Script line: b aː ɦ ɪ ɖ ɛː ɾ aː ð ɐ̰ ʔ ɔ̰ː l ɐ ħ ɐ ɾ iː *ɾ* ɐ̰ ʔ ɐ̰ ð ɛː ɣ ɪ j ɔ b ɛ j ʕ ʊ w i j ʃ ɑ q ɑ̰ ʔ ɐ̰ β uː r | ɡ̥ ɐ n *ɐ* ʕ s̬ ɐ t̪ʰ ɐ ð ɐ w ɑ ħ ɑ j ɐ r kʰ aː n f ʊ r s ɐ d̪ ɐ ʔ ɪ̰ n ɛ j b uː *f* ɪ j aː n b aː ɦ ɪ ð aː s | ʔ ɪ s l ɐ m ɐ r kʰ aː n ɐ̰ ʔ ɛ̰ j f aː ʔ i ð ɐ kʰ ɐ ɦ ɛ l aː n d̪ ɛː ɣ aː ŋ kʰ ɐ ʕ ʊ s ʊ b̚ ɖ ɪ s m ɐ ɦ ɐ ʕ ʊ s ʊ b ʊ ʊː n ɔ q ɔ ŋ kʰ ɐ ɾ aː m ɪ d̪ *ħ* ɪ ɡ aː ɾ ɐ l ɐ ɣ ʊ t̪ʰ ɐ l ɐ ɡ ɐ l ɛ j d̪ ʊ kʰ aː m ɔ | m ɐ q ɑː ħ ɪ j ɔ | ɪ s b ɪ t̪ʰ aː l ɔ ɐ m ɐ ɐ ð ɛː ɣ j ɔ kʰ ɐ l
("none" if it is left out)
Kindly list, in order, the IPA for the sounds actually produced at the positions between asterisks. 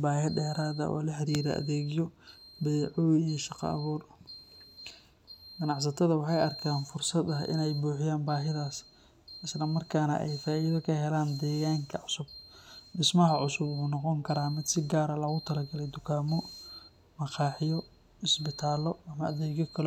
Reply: ɾ, ɑ, ħ, s

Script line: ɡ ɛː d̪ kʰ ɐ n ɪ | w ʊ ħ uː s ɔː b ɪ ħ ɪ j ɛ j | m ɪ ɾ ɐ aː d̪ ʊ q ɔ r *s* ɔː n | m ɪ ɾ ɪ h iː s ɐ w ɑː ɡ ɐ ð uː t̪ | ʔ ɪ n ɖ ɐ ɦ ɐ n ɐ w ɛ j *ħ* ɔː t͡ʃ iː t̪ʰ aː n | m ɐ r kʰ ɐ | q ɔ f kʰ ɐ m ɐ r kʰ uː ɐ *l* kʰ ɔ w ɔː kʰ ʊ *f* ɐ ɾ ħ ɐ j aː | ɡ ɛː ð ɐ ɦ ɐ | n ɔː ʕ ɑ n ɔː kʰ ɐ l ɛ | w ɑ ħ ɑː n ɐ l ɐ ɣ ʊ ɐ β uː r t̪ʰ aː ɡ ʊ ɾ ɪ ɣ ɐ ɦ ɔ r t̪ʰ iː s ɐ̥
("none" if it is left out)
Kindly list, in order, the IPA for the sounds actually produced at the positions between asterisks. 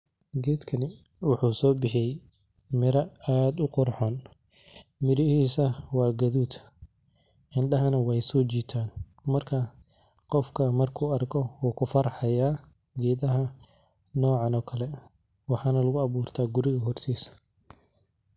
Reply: ħ, s, r, f

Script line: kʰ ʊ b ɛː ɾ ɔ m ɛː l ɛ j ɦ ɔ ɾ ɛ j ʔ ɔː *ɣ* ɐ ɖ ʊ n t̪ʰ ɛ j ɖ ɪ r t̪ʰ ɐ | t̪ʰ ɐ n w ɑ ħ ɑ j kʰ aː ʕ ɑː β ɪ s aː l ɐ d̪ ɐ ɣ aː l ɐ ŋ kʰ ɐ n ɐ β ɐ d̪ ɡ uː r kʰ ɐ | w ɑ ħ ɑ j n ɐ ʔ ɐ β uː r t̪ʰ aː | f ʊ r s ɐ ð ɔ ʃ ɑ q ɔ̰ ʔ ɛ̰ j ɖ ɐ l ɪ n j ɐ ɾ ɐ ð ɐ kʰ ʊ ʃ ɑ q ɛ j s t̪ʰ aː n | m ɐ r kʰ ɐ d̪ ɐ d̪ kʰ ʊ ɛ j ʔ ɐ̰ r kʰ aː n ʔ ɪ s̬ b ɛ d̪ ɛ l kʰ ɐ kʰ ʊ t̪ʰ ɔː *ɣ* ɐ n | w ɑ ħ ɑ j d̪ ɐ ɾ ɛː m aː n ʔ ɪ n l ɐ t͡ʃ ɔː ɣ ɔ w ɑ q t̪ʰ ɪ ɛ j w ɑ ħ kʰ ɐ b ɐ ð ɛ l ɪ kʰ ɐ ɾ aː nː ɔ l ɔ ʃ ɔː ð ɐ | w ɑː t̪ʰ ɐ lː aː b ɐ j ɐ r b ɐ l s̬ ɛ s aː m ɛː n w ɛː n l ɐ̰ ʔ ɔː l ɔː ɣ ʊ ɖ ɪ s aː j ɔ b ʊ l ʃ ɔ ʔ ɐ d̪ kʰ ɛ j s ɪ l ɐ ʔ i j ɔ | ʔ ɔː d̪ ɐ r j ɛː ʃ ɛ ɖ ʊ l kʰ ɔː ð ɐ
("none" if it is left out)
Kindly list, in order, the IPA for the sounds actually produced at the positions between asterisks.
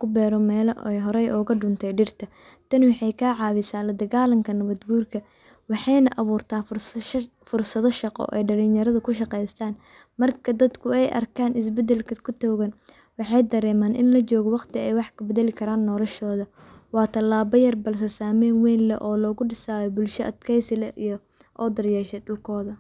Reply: ɣ, ɣ

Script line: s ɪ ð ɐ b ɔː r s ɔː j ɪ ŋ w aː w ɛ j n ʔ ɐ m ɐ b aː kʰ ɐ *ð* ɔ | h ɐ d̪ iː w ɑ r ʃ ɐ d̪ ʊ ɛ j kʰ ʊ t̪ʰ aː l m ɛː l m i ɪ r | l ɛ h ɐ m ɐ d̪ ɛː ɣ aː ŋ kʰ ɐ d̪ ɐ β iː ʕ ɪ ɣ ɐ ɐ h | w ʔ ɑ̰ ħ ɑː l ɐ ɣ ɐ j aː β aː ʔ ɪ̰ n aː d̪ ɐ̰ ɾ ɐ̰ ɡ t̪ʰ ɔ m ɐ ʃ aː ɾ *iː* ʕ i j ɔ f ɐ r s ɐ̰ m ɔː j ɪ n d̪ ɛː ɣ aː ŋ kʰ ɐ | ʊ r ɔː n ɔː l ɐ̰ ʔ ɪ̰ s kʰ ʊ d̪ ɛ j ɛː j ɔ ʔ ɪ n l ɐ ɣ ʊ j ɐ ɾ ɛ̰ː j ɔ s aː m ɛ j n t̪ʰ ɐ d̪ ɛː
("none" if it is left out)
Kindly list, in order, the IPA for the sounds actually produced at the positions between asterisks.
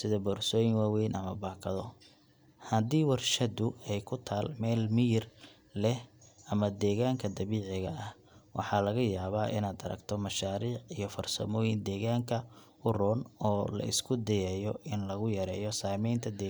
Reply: ð, iː

